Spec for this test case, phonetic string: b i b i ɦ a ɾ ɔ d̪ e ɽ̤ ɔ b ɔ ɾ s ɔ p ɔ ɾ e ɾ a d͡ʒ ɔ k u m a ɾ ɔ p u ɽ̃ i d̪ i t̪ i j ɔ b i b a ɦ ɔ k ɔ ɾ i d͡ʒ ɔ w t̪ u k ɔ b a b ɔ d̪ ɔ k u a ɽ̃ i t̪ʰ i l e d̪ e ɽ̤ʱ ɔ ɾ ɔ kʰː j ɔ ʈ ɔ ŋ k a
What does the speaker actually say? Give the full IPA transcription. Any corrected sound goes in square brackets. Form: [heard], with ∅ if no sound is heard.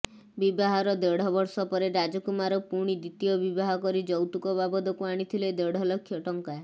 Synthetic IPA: b i b [a] ɦ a ɾ ɔ d̪ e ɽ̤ ɔ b ɔ ɾ s ɔ p ɔ ɾ e ɾ a d͡ʒ ɔ k u m a ɾ ɔ p u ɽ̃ i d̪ i t̪ i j ɔ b i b a ɦ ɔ k ɔ ɾ i d͡ʒ ɔ w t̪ u k ɔ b a b ɔ d̪ ɔ k u a ɽ̃ i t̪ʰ i l e d̪ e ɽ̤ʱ ɔ [l] ɔ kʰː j ɔ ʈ ɔ ŋ k a